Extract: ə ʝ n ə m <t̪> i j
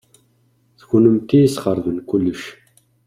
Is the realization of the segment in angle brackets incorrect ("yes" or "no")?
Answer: no